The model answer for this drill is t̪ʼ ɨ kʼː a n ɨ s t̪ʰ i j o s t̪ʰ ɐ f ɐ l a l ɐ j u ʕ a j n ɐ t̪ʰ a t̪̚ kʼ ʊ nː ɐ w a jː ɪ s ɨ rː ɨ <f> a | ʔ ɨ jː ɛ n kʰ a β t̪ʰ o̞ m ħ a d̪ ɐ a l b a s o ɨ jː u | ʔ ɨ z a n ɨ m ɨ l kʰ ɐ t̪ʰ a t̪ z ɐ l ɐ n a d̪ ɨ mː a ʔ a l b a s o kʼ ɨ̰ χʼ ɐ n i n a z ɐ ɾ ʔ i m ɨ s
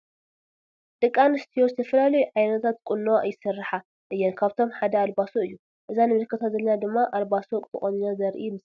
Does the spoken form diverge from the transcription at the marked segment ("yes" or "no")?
yes